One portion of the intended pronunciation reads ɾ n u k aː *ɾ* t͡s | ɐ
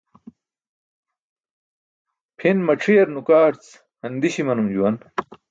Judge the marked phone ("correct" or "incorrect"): correct